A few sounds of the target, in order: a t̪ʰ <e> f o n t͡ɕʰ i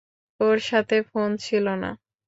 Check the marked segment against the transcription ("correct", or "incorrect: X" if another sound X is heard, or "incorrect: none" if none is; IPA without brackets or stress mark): correct